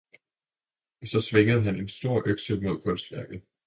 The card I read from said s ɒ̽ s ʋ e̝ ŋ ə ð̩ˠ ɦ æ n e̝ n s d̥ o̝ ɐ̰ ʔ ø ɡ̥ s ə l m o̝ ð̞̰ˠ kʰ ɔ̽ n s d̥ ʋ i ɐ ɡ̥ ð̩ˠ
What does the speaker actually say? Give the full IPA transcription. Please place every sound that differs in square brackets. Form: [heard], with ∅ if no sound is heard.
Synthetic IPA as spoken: s ɒ̽ s ʋ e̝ ŋ ə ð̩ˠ ɦ æ n e̝ n s d̥ o̝ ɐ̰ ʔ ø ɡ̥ s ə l m o̝ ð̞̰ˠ kʰ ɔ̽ n s d̥ ʋ [æ] ɐ ɡ̥ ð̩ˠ